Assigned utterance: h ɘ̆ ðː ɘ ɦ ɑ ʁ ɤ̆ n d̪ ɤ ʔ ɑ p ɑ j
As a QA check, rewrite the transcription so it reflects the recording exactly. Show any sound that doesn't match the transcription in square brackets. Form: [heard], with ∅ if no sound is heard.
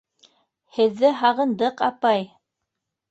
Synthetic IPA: h ɘ̆ ðː ɘ ɦ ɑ ʁ ɤ̆ n d̪ ɤ [q] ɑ p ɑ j